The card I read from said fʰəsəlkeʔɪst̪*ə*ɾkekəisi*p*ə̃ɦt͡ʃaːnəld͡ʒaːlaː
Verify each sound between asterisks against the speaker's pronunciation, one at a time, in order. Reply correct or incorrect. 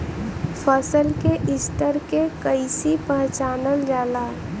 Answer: correct, correct

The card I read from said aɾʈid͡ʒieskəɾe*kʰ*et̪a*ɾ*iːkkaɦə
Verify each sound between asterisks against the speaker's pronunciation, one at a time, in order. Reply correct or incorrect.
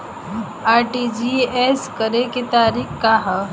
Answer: incorrect, correct

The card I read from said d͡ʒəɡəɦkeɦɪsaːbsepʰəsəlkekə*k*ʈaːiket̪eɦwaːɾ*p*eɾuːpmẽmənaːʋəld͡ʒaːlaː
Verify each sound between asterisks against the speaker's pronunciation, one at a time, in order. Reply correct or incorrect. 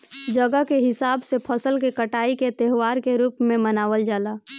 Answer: incorrect, incorrect

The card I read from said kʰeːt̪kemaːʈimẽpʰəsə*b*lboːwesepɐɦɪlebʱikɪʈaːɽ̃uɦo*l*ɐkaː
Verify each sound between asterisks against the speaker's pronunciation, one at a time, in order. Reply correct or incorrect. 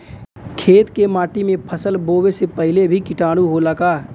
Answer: incorrect, correct

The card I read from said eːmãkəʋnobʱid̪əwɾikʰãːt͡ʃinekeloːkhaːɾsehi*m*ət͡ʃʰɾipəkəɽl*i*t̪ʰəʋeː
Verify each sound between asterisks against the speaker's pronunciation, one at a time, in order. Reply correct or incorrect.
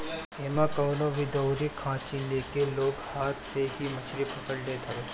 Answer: correct, incorrect

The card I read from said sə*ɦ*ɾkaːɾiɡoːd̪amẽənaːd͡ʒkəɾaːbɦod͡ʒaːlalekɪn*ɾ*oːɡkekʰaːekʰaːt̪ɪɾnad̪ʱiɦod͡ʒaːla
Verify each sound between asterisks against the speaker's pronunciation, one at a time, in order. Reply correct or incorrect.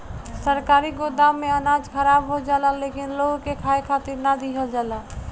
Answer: incorrect, incorrect

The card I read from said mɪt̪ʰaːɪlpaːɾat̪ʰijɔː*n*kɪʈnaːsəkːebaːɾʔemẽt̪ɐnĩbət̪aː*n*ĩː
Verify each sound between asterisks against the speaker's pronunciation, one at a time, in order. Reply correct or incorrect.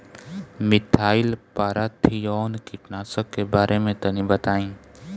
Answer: correct, incorrect

